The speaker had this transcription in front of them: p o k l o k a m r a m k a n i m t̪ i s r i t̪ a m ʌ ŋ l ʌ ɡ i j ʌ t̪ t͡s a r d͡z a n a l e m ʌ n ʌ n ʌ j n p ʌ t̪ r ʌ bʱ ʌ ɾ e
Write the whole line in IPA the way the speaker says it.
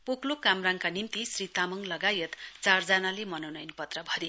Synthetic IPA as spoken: p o k l o k a m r a ŋ k a n i m t̪ i s r i t̪ a m ʌ ŋ l ʌ ɡ a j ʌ t̪ t͡s a r d͡z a n a l e m ʌ n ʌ n ʌ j n p ʌ t̪ r ʌ bʱ ʌ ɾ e